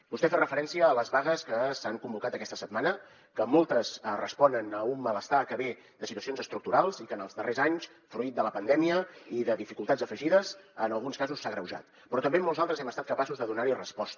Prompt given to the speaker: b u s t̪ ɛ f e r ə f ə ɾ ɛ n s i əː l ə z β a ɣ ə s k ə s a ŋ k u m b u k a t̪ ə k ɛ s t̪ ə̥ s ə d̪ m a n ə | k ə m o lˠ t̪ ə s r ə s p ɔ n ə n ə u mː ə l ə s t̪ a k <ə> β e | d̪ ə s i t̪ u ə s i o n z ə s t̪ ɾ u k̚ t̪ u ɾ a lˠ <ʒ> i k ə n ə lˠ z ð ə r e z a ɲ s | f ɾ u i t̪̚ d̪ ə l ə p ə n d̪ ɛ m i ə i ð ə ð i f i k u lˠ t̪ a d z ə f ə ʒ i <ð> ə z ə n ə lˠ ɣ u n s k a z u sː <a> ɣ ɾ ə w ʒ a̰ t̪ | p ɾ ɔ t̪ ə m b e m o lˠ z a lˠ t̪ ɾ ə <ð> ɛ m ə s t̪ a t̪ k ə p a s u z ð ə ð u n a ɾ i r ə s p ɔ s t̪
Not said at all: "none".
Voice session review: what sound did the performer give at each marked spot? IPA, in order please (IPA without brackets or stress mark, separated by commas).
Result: ə, z, ð, a, z